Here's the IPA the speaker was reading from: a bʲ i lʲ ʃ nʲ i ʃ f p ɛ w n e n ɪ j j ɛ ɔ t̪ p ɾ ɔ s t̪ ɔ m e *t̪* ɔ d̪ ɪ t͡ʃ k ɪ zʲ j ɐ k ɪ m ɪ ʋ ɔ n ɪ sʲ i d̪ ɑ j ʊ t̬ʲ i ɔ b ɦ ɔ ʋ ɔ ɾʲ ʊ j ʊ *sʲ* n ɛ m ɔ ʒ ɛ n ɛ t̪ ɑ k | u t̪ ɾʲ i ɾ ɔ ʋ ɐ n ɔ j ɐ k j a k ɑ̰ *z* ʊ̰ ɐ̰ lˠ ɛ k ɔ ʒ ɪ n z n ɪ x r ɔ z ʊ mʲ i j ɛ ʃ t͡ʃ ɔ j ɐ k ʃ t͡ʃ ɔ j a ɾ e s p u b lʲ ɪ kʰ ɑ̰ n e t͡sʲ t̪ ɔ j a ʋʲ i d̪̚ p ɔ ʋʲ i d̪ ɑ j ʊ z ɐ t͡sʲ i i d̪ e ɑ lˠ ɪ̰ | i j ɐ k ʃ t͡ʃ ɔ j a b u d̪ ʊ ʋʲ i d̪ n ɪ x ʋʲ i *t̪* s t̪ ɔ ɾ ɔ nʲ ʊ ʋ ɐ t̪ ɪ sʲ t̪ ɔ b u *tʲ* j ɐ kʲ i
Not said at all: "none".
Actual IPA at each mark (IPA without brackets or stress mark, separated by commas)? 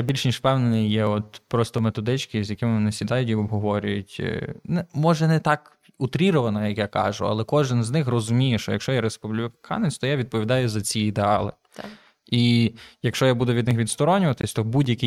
t̪, tʲ, ʒ, d̪, dʲ